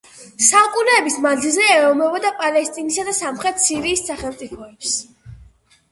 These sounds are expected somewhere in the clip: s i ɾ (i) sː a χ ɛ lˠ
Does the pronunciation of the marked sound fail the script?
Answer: yes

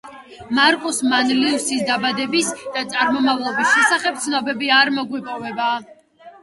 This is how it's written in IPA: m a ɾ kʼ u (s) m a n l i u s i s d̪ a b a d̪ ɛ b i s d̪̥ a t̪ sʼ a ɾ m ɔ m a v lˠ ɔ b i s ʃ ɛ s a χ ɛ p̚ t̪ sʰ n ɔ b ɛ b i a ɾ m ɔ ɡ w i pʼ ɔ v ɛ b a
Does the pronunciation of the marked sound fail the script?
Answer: no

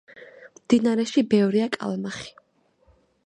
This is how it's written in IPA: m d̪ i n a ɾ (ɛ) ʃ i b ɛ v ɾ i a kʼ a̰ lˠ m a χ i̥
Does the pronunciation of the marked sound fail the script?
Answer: no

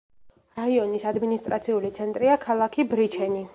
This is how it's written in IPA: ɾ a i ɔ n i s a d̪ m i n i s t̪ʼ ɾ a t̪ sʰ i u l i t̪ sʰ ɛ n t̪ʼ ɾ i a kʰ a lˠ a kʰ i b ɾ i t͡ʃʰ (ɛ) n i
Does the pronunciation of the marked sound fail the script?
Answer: no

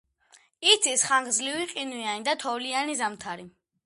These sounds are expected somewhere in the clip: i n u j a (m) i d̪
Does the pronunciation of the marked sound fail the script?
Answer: yes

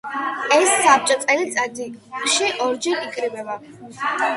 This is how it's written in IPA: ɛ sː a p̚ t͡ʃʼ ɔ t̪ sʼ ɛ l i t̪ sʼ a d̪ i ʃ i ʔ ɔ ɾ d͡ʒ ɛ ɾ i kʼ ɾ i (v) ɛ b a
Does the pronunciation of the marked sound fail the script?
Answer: yes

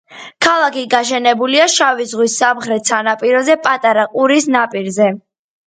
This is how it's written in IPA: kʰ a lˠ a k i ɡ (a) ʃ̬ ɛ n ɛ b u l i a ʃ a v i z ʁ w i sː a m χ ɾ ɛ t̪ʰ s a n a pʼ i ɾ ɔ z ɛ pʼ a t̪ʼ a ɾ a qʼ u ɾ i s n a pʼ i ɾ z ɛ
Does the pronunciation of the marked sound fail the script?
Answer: no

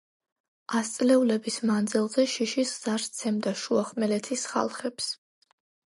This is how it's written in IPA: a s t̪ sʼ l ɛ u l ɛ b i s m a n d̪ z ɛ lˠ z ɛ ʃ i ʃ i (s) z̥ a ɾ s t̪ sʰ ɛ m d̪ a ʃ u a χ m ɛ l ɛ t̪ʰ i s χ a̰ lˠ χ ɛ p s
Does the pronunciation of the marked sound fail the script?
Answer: no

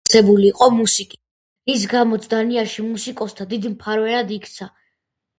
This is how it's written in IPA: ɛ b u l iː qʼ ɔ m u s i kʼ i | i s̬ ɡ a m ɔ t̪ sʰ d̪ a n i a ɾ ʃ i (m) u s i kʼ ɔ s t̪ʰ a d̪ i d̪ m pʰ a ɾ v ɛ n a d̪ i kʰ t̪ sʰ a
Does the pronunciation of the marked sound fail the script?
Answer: no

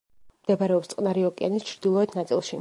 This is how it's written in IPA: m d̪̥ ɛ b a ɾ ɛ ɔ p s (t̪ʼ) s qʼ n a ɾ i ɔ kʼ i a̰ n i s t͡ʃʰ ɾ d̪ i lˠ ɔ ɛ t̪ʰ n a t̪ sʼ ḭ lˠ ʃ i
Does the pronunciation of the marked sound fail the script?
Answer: yes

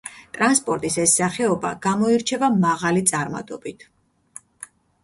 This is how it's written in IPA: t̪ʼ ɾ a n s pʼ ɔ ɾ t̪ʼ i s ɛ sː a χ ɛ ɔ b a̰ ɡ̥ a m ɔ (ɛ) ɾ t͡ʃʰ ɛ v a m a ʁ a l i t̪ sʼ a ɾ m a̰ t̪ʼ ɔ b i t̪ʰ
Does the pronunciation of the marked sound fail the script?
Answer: yes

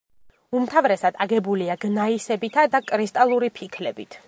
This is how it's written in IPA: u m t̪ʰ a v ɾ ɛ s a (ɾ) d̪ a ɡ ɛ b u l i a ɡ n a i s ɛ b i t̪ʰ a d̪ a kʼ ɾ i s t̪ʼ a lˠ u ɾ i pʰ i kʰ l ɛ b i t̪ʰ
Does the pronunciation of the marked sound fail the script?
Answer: yes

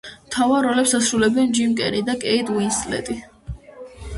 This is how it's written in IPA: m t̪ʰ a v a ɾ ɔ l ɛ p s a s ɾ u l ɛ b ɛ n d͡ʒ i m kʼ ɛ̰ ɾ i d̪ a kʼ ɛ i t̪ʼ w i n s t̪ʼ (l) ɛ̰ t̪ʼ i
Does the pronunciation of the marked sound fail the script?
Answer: no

